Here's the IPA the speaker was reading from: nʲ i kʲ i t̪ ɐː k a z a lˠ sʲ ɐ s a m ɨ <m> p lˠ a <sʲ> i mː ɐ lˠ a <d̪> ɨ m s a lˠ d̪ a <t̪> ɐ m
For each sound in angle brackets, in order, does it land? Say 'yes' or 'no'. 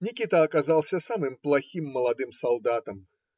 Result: yes, no, yes, yes

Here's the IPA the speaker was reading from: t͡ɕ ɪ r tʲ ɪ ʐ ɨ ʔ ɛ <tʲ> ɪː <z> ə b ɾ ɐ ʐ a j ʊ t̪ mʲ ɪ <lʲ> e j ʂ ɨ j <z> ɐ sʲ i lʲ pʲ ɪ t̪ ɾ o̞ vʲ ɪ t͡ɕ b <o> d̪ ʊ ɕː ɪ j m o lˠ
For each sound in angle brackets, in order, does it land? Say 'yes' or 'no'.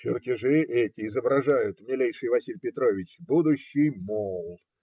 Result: yes, yes, yes, no, no

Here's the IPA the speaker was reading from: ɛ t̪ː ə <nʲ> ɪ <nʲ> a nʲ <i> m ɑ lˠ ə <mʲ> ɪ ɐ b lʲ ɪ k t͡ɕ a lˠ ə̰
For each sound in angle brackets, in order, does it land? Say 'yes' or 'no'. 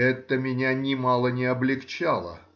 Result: no, yes, no, no

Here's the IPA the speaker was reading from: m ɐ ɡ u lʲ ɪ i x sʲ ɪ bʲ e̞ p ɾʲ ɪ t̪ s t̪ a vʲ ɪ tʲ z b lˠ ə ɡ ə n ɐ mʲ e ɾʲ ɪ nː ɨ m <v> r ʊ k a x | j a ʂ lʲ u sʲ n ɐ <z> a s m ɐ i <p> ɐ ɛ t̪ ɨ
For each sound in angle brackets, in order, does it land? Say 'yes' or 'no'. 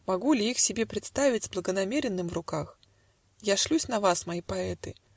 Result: yes, no, yes

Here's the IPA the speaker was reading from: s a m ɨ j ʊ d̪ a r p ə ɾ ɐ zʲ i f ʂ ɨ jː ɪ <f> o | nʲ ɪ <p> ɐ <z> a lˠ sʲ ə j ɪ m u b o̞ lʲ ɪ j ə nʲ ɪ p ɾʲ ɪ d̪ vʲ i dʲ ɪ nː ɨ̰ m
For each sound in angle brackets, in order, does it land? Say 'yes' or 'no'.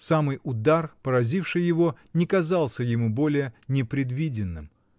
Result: no, no, yes

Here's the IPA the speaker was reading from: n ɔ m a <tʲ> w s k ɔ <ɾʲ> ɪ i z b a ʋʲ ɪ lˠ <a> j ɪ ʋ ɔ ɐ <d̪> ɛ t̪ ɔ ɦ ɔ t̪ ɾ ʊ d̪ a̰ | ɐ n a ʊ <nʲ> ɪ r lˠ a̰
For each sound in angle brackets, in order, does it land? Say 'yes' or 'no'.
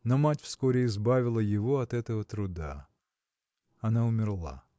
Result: yes, yes, no, no, no

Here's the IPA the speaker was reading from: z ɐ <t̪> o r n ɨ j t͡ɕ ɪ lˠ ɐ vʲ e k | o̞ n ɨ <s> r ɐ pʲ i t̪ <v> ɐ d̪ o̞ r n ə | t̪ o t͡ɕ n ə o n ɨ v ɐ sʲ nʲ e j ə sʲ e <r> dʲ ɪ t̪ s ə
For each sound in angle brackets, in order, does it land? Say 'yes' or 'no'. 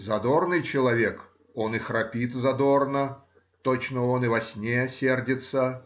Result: no, no, no, yes

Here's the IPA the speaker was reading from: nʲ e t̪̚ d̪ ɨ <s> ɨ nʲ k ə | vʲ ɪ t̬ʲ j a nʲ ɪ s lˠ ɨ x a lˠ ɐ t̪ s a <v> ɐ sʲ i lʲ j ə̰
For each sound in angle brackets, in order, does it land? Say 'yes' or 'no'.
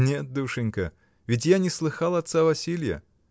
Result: no, yes

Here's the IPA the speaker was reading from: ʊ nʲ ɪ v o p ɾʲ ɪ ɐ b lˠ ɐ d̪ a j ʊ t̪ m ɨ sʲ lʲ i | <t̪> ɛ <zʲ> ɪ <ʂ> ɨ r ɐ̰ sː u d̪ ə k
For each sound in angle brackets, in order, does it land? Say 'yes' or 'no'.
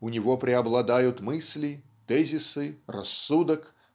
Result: yes, yes, no

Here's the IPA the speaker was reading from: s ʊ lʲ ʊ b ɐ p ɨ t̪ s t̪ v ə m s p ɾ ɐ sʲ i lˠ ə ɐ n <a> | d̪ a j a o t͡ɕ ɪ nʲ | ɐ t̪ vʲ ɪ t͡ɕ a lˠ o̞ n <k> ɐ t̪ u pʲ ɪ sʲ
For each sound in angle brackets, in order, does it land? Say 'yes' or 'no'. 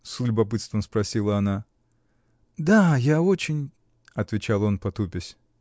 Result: yes, no

